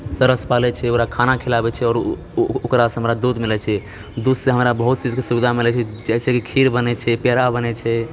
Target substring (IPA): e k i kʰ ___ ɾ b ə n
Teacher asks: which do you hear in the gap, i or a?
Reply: i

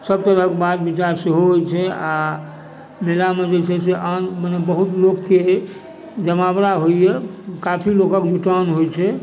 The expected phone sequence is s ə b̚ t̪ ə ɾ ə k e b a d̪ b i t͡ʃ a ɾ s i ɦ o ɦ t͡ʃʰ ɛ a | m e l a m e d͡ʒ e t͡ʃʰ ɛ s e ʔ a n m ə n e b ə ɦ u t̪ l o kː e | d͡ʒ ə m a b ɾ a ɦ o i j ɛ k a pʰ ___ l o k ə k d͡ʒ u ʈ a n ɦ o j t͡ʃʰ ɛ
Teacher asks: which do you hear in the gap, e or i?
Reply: i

